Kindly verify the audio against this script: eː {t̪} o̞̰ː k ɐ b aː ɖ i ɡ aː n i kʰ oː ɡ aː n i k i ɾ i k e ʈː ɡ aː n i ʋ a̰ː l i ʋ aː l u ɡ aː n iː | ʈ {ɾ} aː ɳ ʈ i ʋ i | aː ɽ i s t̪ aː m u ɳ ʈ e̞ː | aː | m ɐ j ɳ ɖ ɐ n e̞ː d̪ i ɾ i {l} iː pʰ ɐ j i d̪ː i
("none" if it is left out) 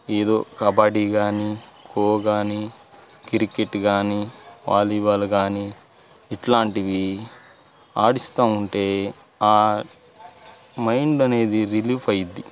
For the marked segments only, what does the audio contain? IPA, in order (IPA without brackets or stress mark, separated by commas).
d̪, l, l